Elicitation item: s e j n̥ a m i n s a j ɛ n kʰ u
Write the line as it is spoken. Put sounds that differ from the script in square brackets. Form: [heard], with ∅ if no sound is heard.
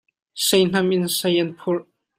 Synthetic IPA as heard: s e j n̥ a m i n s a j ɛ n [pʰ] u